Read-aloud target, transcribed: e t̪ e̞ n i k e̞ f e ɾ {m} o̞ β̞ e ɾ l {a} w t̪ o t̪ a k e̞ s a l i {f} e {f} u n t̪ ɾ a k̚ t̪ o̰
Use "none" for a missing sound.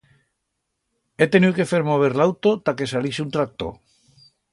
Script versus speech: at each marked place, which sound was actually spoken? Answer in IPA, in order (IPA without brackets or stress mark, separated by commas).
m, a, s, none